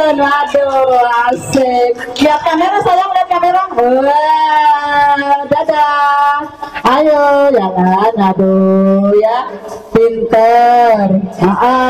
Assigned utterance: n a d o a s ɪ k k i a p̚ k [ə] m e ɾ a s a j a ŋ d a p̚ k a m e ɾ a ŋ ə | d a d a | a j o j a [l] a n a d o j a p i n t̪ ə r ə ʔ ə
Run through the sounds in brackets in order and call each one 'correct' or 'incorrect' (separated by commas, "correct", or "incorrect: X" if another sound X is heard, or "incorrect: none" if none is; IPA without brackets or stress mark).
incorrect: a, correct